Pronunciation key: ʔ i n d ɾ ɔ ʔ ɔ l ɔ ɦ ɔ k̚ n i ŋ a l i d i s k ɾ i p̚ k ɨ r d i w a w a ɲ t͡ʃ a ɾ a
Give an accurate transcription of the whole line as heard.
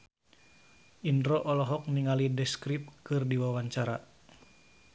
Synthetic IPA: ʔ i n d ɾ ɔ ʔ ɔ l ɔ ɦ ɔ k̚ n i ŋ a l i d ɛ s k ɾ i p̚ k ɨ r d i w a w a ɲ t͡ʃ a ɾ a